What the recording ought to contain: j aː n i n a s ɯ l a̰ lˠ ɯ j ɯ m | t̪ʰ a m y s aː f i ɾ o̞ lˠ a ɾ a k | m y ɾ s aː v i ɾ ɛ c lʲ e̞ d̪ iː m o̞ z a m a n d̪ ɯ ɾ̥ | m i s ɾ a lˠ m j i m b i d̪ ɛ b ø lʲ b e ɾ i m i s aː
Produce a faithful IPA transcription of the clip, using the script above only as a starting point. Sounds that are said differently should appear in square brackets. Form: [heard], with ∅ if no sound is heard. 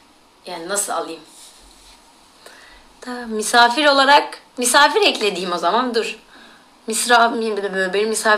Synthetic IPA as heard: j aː n i n a s ɯ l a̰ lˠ ɯ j ɯ m | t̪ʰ a m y s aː f i ɾ o̞ lˠ a ɾ a k | m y [∅] s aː [f] i ɾ ɛ c lʲ e̞ d̪ iː m o̞ z a m a n d̪ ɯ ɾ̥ | m i s ɾ a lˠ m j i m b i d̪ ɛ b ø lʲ b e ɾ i m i s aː